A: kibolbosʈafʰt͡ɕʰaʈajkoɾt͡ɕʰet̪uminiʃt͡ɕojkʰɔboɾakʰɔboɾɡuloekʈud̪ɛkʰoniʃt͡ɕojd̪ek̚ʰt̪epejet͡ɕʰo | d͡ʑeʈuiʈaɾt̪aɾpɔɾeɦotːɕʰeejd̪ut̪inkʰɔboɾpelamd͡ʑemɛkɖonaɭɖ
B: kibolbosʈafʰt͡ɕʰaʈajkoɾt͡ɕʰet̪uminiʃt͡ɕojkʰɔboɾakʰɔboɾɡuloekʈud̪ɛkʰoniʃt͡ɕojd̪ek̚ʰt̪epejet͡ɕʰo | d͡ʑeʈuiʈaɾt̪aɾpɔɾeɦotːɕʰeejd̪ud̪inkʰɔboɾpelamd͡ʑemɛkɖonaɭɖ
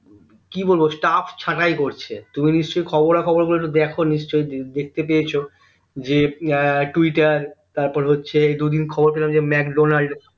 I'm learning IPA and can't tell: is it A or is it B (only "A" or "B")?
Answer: B